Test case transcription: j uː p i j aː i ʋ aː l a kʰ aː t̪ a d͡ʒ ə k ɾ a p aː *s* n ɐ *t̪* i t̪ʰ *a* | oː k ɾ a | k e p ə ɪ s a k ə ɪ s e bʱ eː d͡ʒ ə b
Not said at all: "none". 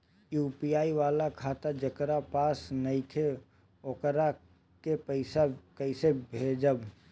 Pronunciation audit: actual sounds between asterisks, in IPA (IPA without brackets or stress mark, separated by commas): s, none, e